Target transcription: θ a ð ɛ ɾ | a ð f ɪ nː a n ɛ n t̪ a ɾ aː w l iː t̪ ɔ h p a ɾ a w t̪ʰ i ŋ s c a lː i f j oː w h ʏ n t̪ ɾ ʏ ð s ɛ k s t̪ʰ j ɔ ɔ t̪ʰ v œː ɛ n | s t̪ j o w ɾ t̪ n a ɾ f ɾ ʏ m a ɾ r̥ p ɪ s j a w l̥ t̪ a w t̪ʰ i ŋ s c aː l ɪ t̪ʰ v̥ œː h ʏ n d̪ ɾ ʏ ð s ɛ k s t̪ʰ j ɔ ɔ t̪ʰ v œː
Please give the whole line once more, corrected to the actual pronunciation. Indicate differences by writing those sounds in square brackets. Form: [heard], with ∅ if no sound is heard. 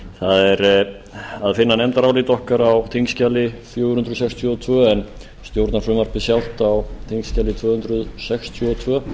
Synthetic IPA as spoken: θ a ð ɛ ɾ | a ð f ɪ nː a n ɛ n t̪ a ɾ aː w l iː t̪ ɔ h [k] a ɾ a w t̪ʰ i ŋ s c a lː [ɪ] f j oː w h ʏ n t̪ ɾ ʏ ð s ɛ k s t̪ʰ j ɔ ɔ t̪ʰ v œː ɛ n | s t̪ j o w ɾ t̪ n a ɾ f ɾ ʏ m a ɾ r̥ p ɪ s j a w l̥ t̪ a w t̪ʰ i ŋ s c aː l ɪ t̪ʰ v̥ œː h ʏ n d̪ ɾ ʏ ð s ɛ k s t̪ʰ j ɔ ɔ t̪ʰ v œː